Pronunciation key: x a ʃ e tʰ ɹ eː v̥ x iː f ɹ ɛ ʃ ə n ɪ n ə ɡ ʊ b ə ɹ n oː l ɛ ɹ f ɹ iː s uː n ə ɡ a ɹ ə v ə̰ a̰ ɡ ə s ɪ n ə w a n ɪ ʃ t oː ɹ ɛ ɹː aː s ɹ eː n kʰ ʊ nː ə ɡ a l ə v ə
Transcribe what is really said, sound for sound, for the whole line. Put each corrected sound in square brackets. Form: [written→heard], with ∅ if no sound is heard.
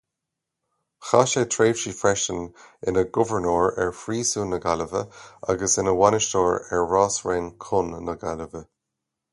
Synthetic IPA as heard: x a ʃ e tʰ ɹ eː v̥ [x→ʃ] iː f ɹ ɛ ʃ ə n ɪ n ə ɡ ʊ [b→v] ə ɹ n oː [l→ɹ] ɛ ɹ f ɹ iː s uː n ə ɡ a [ɹ→l] ə v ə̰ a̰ ɡ ə s ɪ n ə w a n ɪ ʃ t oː ɹ ɛ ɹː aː s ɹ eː n kʰ ʊ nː ə ɡ a l ə v ə